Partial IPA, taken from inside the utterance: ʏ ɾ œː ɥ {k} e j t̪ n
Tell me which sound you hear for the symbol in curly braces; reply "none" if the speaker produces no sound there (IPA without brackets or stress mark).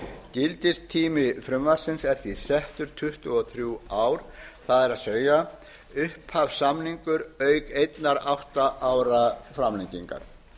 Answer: k